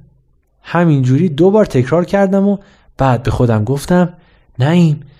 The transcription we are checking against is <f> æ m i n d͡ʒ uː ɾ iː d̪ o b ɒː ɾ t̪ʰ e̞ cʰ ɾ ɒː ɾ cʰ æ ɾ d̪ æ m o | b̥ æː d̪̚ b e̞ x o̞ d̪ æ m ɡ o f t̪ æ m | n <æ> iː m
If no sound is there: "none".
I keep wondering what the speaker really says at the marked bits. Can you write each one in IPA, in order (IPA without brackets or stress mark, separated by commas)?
h, æ